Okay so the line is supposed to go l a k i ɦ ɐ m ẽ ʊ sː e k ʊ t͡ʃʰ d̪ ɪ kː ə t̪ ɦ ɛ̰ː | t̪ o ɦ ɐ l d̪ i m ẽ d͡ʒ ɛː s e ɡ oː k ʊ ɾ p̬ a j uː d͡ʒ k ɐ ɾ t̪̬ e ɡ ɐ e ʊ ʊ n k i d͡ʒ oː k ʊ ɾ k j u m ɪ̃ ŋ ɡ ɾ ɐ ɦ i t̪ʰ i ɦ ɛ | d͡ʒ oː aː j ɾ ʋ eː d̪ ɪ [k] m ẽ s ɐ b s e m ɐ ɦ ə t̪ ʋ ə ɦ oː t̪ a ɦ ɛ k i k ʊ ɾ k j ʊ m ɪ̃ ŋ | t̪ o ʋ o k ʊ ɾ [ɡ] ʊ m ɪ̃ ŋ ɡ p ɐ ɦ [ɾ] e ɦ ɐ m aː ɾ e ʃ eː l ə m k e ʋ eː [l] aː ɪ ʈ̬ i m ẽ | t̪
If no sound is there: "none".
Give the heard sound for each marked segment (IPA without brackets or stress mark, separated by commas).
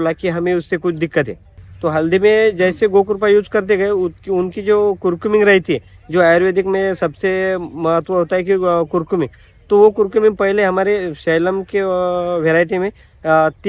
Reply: k, k, l, ɾ